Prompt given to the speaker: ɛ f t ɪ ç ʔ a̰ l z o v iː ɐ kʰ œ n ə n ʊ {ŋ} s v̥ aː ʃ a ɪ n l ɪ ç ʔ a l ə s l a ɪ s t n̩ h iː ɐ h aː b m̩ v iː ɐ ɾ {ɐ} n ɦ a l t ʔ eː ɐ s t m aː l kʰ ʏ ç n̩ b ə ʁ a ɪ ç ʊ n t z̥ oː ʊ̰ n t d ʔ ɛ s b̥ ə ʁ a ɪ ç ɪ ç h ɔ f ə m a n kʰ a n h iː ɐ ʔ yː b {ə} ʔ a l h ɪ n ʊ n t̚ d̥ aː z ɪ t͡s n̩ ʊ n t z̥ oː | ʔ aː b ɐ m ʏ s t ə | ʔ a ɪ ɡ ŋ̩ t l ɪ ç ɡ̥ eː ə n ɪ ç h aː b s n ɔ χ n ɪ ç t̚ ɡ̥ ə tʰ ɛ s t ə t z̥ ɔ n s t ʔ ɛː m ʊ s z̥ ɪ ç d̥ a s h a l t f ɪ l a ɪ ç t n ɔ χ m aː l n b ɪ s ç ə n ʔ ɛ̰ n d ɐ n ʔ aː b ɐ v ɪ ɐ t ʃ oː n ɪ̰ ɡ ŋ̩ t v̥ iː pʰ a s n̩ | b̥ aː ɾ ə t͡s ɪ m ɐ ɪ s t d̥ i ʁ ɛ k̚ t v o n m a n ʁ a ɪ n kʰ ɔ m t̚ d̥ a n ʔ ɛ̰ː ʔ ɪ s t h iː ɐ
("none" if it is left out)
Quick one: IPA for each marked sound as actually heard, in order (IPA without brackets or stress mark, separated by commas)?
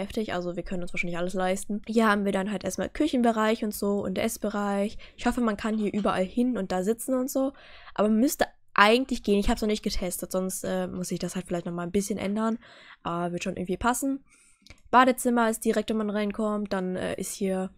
n, a, ɐ